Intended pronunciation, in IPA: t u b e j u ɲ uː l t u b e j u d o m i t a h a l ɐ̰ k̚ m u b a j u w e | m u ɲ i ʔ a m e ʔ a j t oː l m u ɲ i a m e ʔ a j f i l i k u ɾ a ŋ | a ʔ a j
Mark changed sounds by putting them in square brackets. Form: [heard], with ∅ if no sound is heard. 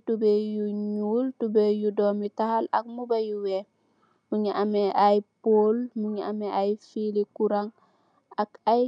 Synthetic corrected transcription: t u b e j u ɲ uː l t u b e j u d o m i t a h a l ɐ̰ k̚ m u b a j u w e | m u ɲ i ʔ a m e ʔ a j [p] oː l m u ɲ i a m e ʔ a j f i l i k u ɾ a ŋ | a [k] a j